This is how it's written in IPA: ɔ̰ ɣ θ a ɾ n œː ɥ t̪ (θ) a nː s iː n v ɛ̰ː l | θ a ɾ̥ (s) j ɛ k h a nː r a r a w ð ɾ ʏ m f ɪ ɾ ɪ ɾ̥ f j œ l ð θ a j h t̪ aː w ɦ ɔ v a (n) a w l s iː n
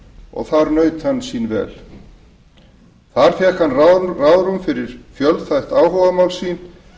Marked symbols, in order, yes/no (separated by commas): no, no, no